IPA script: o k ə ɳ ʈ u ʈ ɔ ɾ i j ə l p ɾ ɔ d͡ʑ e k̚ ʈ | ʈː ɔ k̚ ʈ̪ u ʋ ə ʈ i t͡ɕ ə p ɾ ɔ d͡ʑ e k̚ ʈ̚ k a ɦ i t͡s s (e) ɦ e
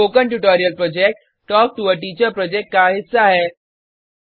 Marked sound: incorrect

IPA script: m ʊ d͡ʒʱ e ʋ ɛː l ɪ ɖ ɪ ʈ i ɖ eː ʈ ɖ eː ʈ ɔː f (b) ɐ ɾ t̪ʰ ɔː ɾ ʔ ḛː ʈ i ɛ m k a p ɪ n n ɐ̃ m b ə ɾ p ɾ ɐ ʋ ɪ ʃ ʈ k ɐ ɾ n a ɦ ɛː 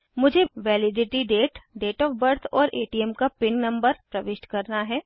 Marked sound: correct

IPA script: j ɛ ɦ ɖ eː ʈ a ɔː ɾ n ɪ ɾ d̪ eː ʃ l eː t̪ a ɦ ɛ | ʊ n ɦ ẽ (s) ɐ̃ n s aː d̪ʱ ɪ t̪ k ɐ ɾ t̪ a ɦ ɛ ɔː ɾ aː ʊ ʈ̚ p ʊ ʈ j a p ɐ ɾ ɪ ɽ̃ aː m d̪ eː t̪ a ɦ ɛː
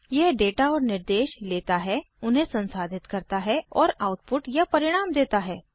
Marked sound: correct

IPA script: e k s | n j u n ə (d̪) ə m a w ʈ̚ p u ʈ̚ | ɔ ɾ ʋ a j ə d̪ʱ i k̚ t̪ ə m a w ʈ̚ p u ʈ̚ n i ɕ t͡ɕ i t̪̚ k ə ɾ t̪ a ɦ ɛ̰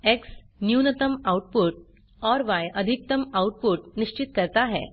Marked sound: incorrect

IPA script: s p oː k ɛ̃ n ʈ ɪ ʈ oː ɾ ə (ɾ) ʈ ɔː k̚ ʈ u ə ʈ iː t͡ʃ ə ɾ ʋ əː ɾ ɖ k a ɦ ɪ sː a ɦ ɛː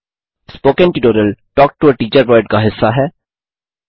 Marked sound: incorrect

